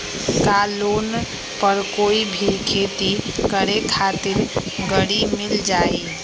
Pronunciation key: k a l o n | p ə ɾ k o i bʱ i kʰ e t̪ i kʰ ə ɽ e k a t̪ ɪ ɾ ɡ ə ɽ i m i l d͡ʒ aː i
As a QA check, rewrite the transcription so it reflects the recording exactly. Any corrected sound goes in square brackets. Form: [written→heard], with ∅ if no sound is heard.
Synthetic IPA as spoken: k a l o n | p ə ɾ k o i bʱ i kʰ e t̪ i [kʰ→k] ə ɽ e [k→kʰ] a t̪ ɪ ɾ ɡ ə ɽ i m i l d͡ʒ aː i

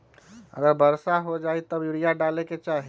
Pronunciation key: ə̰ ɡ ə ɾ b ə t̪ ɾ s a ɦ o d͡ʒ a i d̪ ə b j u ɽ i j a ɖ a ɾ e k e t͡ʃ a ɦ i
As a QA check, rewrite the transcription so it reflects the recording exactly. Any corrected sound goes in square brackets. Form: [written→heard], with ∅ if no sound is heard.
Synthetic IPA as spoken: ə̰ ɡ ə ɾ b ə [t̪→∅] ɾ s a ɦ o d͡ʒ a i [d̪→t̪] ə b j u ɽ i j a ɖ a [ɾ→l] e k e t͡ʃ a ɦ i

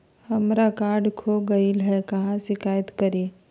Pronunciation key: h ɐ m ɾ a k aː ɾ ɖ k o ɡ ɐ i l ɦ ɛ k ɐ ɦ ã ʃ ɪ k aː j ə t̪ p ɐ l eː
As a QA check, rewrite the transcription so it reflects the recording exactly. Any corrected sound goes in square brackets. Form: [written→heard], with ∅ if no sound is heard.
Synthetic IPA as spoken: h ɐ m ɾ a k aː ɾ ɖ [k→kʰ] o ɡ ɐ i l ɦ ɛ k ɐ ɦ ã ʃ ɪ k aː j ə t̪ [p→k] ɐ [l→ɾ] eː

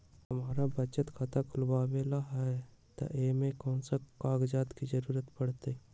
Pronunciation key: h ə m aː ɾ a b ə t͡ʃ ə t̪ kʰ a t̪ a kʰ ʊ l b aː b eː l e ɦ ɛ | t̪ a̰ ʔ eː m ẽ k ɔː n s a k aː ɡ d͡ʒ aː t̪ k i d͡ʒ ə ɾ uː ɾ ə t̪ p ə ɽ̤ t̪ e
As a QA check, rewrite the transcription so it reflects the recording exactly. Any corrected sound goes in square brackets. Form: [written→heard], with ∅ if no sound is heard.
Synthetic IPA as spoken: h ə m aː ɾ a b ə t͡ʃ ə t̪ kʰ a t̪ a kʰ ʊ l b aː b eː l [e→a] ɦ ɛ | t̪ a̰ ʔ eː m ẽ k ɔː n s a k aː ɡ d͡ʒ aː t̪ k i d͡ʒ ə ɾ uː ɾ ə t̪ p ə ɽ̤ t̪ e

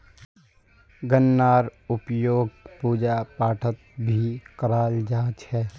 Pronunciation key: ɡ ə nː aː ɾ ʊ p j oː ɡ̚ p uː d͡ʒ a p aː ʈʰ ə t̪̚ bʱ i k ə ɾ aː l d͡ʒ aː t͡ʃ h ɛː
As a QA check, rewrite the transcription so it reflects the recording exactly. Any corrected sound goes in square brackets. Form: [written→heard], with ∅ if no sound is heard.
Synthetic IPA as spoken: ɡ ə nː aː ɾ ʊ p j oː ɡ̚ p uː d͡ʒ a p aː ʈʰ ə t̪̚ bʱ i k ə ɾ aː l d͡ʒ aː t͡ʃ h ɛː

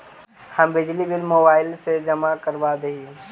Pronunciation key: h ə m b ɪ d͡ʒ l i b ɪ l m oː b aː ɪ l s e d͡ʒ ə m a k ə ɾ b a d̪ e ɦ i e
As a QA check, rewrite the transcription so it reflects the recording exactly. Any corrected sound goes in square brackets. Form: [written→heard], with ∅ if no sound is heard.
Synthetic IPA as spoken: h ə m b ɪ d͡ʒ l i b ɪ l m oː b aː ɪ l s e d͡ʒ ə m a k ə ɾ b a d̪ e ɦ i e

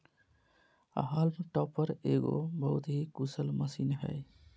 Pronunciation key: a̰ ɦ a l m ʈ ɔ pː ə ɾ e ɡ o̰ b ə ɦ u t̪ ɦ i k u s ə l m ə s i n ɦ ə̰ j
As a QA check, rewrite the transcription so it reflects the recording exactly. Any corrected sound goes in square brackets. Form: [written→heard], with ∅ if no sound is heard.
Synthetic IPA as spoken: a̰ ɦ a l m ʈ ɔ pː ə ɾ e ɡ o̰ b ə ɦ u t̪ ɦ i k u s ə l m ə s i n ɦ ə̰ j

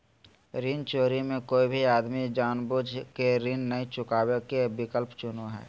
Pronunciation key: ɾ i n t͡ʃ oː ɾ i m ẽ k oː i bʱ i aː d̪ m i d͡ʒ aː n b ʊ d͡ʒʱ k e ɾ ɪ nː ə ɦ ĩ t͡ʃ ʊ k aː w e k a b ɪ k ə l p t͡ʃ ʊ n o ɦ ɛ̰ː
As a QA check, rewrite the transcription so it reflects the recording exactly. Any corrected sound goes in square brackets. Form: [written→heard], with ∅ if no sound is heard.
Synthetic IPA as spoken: ɾ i n t͡ʃ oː ɾ i m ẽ k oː i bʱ i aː d̪ m i d͡ʒ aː n b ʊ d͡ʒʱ k e ɾ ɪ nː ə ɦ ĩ t͡ʃ ʊ k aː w e k [a→e] b ɪ k ə l p t͡ʃ ʊ n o ɦ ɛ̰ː

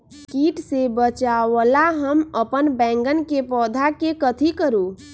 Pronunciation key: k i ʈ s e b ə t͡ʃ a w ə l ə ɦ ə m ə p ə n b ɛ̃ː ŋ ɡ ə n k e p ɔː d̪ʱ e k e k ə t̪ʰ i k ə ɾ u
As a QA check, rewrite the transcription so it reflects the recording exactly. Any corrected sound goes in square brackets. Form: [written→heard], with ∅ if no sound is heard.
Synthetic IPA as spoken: k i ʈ s e b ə t͡ʃ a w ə l [ə→a] ɦ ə m ə p ə n b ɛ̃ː ŋ ɡ ə n k e p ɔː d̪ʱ [e→a] k e k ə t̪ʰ i k ə ɾ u

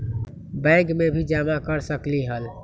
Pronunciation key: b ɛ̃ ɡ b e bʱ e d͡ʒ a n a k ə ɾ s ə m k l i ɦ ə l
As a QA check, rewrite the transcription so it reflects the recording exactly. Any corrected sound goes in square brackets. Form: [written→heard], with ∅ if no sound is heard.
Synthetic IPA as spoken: b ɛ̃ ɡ [b→m] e bʱ [e→i] d͡ʒ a [n→m] a k ə ɾ s ə [m→∅] k l i ɦ ə l

